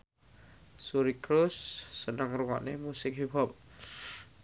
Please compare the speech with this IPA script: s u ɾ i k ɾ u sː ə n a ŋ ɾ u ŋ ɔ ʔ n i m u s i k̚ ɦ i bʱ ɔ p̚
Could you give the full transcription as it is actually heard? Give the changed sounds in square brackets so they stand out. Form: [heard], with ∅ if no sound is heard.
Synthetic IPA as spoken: s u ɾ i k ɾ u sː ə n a ŋ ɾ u ŋ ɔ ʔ n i m u s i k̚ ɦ i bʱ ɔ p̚